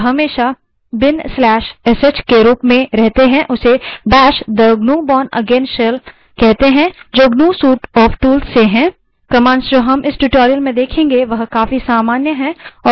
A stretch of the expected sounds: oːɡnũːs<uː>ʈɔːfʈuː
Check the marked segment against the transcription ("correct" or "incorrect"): correct